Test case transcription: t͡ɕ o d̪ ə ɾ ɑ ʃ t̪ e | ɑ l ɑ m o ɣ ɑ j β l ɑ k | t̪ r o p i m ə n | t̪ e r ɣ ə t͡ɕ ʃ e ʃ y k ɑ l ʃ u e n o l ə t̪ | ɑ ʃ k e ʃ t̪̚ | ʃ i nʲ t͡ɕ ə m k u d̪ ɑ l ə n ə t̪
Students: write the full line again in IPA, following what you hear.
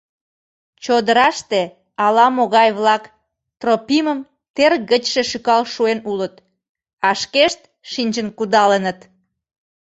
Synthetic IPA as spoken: t͡ɕ o d̪ ə ɾ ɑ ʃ t̪ e | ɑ l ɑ m o ɣ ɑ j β l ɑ k | t̪ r o p i m ə m | t̪ e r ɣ ə t͡ɕ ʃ e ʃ y k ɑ l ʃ u e n u l ə t̪ | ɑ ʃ k e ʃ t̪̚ | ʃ i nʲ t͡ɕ ə n k u d̪ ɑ l ə n ə t̪